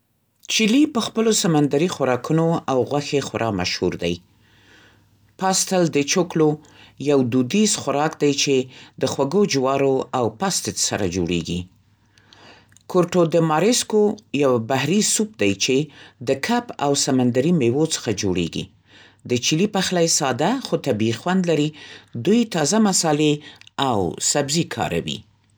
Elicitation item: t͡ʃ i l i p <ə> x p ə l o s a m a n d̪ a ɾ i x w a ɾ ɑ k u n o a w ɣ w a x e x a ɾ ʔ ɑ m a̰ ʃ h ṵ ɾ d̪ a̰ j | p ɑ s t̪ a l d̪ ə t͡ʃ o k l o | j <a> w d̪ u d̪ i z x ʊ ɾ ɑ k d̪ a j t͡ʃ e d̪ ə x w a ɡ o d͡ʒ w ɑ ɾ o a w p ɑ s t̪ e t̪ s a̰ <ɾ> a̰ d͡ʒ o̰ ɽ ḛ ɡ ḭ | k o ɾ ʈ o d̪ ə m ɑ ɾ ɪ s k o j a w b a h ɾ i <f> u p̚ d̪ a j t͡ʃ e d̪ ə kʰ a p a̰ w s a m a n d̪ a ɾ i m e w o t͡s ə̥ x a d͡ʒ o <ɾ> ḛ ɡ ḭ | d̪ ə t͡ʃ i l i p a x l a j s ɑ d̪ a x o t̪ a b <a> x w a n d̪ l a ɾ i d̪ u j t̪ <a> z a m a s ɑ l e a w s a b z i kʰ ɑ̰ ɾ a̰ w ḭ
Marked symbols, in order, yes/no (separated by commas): yes, yes, yes, no, no, no, no